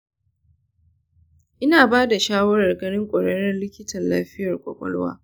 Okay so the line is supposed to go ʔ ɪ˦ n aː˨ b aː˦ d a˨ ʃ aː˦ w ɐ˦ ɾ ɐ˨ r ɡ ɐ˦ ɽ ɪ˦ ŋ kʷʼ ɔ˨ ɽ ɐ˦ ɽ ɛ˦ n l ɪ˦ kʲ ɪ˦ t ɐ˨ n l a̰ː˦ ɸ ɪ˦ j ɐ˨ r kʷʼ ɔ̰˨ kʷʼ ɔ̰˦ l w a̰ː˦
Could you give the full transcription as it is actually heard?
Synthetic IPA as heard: ʔ ɪ˦ n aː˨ b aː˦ d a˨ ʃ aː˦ w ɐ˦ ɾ ɐ˨ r ɡ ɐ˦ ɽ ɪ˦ ŋ kʷʼ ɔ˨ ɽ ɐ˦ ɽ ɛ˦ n l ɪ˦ kʲ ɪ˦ t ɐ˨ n l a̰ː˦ ɸ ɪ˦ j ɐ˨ r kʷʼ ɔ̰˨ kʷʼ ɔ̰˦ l w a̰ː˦